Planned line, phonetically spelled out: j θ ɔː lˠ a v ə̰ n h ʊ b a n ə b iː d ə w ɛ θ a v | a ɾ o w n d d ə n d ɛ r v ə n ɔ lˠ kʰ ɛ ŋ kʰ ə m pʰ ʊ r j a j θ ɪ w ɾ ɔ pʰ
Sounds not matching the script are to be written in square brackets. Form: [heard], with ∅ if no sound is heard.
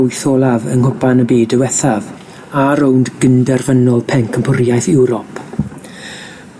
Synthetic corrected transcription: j θ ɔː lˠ a v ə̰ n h ʊ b a n ə b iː d ə w ɛ θ a v | a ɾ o w n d [ɡ] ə n d ɛ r v ə n ɔ lˠ [pʰ] ɛ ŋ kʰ ə m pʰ ʊ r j a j θ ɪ w ɾ ɔ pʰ